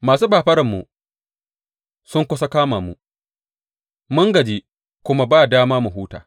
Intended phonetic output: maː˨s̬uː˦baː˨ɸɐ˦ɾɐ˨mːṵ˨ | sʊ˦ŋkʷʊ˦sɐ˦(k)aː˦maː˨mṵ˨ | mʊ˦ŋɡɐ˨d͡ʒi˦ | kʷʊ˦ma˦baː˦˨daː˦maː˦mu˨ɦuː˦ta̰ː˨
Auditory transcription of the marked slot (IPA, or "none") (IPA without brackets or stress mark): k